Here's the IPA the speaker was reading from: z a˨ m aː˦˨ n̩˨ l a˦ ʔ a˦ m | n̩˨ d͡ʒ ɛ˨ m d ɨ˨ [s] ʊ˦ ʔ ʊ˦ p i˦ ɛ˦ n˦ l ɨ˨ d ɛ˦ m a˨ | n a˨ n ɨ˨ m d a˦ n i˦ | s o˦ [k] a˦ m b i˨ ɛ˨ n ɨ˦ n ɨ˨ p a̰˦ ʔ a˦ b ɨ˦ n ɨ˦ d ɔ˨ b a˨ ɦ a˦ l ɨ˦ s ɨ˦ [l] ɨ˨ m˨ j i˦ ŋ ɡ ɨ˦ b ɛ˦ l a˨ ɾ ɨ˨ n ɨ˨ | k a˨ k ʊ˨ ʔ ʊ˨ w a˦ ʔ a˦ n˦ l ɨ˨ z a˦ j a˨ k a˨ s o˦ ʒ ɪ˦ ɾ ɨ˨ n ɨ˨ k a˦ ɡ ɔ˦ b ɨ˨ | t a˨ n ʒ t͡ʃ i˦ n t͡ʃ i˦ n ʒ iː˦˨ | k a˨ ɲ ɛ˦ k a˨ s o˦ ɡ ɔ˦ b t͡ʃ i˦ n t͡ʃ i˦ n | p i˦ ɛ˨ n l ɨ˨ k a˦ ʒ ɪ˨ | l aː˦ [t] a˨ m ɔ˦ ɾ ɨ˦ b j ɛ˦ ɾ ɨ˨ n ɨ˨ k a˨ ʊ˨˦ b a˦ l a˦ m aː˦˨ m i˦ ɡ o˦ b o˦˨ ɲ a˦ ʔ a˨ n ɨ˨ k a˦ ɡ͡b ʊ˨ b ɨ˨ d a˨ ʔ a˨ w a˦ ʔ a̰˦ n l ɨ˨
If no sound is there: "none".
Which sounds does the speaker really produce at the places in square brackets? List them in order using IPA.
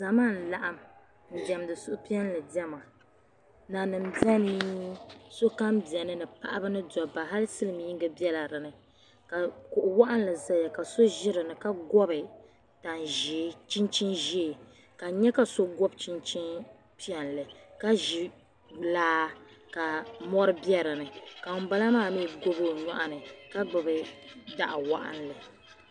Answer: s, k, l, k

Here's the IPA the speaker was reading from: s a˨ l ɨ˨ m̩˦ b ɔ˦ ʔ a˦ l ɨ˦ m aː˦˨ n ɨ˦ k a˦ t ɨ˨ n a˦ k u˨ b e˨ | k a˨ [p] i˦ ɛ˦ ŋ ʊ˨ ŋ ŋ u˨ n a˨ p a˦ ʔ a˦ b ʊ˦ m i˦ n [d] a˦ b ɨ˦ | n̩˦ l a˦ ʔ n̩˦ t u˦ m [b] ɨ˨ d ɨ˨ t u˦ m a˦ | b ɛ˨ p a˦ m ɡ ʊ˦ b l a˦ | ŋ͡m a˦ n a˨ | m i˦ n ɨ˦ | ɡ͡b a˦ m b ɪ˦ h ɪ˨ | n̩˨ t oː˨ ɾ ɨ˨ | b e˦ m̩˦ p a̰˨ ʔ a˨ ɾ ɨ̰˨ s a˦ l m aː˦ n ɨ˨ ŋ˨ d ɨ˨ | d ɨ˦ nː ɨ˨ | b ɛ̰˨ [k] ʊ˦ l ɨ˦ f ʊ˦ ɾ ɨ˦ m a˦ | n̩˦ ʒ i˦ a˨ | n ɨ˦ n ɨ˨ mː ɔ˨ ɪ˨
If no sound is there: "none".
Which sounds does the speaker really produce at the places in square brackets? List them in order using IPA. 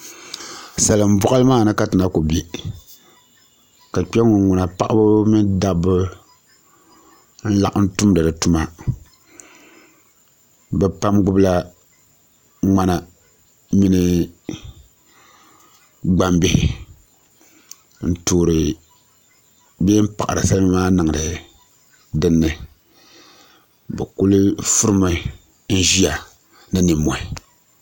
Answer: k͡p, d, d, k

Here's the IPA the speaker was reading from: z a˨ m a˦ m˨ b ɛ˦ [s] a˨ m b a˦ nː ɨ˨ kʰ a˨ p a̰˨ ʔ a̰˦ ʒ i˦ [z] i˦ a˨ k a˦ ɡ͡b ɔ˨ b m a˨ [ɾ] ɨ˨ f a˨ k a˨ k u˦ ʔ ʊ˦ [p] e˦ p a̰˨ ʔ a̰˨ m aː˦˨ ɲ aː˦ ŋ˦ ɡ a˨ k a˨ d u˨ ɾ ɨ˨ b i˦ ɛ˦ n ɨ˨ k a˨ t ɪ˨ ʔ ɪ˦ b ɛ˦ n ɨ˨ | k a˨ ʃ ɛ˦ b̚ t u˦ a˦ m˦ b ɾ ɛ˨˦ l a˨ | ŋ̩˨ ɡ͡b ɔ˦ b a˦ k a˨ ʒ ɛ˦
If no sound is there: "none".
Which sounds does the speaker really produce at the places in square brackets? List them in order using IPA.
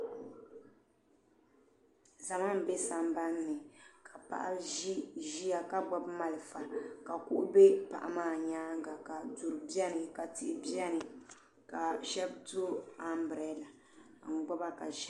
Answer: s, ʒ, l, b

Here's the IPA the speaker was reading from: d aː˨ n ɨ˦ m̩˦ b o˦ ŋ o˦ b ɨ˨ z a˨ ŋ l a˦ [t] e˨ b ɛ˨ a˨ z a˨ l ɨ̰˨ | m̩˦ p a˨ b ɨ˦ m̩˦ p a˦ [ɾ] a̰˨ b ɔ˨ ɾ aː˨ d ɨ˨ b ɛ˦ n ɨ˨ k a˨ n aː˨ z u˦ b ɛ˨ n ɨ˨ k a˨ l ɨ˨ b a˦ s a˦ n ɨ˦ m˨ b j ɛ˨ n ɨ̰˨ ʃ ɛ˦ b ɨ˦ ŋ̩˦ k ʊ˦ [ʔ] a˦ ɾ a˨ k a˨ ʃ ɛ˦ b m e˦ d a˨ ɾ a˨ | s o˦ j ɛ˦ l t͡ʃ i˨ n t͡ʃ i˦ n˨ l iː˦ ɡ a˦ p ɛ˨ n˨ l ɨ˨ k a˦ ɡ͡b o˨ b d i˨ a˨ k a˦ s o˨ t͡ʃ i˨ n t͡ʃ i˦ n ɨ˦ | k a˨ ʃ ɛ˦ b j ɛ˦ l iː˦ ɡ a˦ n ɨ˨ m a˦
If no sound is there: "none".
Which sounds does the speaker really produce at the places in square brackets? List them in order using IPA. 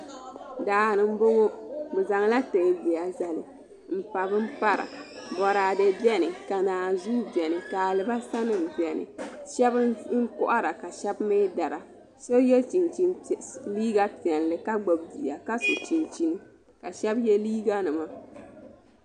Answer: t, ɾ, ʔ

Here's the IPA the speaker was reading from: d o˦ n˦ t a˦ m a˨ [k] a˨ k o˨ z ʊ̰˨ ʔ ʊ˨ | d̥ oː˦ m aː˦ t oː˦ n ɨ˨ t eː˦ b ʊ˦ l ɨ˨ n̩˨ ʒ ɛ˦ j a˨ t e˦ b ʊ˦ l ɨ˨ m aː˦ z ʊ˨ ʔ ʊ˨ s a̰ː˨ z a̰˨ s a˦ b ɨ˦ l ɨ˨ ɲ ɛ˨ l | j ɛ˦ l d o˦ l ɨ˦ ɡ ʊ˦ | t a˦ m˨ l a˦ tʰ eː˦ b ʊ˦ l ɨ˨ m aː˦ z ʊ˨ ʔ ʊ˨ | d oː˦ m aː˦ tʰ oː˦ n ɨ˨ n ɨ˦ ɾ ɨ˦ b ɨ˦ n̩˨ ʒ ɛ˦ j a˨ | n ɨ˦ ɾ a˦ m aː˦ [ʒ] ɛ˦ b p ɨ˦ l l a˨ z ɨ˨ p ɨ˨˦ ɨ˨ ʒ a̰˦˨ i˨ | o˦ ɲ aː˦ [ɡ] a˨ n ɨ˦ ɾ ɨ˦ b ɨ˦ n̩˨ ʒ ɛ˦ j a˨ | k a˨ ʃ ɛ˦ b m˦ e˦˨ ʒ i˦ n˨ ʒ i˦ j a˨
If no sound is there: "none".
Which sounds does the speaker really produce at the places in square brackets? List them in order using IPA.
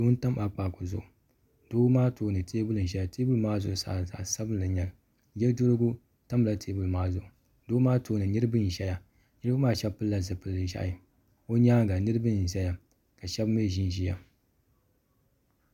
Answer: k͡p, ʃ, ɡ

